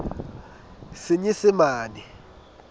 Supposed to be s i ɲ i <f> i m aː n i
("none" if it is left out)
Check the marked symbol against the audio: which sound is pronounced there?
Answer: s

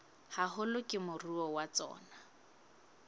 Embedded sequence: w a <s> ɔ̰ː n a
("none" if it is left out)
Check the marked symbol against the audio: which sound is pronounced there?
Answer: t͡s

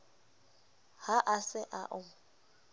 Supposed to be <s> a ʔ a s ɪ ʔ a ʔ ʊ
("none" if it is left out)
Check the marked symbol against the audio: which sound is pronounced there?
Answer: h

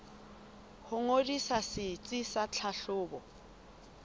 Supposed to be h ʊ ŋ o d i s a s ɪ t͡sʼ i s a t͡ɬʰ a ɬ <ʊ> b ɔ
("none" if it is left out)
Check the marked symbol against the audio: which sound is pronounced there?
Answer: ʊː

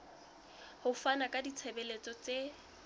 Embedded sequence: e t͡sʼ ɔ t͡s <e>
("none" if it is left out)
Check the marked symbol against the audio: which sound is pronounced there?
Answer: e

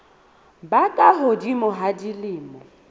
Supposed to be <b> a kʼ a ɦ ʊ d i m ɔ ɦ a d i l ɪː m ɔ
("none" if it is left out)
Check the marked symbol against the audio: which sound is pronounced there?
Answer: b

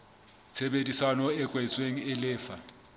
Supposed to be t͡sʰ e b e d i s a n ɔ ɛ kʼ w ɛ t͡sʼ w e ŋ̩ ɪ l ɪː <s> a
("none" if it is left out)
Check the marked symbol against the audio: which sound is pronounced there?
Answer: f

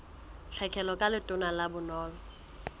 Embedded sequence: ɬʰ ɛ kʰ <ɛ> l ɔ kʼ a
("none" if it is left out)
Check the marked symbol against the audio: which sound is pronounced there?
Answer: ɛ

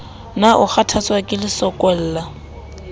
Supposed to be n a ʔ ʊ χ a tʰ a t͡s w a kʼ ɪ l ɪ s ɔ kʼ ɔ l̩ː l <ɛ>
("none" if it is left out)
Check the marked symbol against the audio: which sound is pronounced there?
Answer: a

